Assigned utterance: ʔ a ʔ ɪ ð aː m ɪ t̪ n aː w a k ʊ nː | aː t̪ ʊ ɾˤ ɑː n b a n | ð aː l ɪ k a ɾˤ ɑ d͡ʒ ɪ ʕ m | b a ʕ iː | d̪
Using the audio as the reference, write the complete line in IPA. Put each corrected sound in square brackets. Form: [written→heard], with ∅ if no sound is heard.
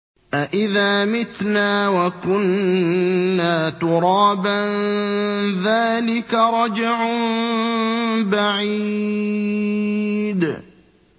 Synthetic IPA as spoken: ʔ a ʔ ɪ ð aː m ɪ t̪ n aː w a k ʊ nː | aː t̪ ʊ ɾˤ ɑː [n→∅] b a n | ð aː l ɪ k a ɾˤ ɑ d͡ʒ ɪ ʕ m | b a ʕ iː | d̪